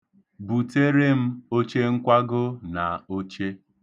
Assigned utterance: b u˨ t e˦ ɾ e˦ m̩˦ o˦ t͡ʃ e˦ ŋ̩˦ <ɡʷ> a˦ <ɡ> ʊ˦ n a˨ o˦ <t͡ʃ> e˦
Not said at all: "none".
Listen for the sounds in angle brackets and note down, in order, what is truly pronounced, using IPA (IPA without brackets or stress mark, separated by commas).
kʷ, ɡ, t͡ʃ